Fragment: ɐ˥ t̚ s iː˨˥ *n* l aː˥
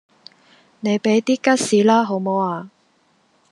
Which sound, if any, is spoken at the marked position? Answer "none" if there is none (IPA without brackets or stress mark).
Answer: none